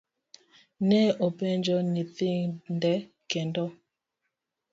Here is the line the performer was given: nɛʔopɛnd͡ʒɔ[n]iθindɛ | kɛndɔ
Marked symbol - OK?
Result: yes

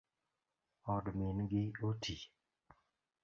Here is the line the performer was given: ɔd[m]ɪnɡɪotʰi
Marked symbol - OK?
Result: yes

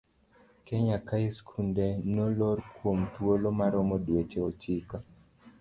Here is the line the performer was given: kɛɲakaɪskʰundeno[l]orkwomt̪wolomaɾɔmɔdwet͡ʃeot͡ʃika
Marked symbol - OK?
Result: yes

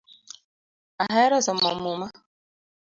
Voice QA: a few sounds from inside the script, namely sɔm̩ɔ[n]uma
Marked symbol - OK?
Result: no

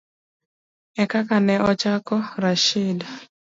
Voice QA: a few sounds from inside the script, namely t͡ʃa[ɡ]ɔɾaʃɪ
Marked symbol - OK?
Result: no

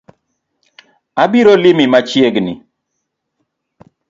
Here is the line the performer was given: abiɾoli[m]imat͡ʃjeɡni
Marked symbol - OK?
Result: yes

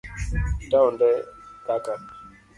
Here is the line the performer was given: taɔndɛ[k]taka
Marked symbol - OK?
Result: no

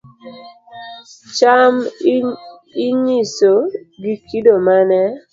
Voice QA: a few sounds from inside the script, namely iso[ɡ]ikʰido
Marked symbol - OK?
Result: yes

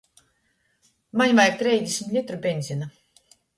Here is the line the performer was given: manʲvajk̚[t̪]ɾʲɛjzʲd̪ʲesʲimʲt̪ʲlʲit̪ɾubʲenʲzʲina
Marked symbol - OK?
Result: yes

